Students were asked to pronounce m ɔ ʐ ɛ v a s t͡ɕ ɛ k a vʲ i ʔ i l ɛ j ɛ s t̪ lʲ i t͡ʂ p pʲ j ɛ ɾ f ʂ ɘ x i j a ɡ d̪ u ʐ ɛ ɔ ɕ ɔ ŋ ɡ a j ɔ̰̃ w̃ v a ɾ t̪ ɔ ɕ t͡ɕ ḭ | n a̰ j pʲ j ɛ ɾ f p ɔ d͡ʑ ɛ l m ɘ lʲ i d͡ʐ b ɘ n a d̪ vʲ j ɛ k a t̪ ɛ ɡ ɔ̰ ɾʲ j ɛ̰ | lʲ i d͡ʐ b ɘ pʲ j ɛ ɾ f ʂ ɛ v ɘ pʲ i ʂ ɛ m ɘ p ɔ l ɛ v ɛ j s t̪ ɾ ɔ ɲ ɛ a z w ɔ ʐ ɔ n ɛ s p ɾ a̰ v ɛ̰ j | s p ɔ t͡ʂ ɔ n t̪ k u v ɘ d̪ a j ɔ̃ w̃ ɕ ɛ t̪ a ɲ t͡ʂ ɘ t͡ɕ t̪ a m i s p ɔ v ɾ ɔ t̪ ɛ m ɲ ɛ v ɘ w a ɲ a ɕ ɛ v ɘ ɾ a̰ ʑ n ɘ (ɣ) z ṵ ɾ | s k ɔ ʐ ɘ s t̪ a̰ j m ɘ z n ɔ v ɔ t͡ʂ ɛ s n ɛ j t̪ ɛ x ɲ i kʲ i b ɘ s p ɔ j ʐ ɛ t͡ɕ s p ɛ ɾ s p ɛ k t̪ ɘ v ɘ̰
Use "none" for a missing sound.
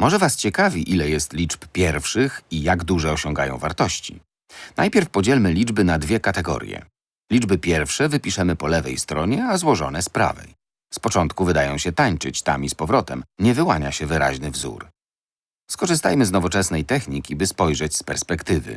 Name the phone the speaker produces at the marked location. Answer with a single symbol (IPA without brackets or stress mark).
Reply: v